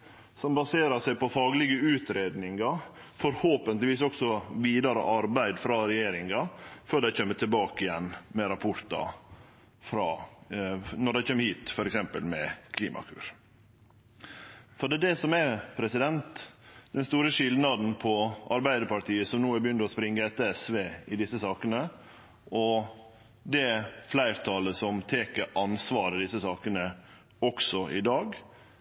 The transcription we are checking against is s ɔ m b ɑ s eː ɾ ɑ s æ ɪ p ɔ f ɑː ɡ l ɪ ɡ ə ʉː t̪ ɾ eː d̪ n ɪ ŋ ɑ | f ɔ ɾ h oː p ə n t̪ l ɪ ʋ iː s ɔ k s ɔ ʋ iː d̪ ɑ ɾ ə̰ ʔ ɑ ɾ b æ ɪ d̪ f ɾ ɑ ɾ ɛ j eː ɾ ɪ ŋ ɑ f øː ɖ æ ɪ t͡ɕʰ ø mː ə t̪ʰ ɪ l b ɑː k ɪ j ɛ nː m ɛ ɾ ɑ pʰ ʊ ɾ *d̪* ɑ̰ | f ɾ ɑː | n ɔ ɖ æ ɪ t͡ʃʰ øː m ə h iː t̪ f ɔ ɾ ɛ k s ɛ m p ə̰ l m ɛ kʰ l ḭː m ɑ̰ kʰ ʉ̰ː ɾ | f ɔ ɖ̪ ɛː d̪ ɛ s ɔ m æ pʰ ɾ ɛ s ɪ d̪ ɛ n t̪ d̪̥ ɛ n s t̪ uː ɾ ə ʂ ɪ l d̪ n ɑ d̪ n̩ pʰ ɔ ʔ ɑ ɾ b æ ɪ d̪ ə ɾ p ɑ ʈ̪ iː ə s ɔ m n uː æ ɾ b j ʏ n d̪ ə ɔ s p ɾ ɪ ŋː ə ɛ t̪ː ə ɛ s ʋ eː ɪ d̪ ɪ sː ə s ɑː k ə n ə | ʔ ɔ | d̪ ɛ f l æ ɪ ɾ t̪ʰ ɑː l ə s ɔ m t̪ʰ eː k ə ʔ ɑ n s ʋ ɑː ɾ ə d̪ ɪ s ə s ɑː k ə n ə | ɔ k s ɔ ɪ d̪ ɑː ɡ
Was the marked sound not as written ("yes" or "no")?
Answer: yes